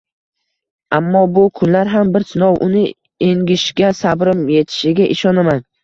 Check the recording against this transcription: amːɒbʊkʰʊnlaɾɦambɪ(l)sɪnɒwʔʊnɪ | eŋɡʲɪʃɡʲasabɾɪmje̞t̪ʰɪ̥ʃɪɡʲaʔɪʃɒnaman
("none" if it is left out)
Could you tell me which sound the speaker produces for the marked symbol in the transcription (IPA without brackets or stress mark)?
ɾ